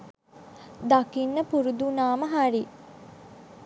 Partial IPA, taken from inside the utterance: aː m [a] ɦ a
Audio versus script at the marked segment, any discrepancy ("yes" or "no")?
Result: yes